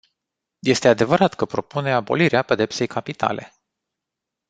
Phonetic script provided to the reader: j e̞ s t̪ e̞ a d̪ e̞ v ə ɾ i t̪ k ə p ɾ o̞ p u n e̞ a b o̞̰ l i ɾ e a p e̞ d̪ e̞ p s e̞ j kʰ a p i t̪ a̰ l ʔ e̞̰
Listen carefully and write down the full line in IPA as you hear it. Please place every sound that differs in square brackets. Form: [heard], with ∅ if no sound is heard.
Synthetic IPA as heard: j e̞ s t̪ e̞ a d̪ e̞ v ə ɾ [a] t̪ k ə p ɾ o̞ p u n e̞ a b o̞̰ l i ɾ e a p e̞ d̪ e̞ p s e̞ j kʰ a p i t̪ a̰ l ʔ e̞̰